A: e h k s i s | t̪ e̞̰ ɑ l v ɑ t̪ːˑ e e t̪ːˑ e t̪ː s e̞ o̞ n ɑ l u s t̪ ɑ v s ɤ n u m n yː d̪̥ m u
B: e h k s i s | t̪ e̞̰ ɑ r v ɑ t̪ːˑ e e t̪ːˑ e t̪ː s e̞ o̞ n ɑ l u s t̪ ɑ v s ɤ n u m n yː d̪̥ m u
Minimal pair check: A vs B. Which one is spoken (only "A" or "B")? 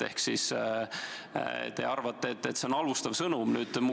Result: B